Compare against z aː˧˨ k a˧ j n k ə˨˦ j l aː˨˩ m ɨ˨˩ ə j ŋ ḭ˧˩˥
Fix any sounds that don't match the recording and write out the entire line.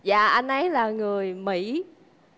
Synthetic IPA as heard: z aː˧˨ ʔ a˧ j n ʔ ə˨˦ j l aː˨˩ ŋ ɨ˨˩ ə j m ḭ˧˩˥